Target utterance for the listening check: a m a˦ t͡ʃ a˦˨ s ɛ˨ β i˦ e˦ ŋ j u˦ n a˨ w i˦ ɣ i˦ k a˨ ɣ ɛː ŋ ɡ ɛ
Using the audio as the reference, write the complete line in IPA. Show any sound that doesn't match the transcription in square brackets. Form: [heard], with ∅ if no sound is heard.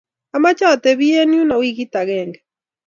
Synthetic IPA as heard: a m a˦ t͡ʃ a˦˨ [t] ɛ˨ β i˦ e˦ [n] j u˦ n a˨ w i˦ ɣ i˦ [t] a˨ ɣ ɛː ŋ ɡ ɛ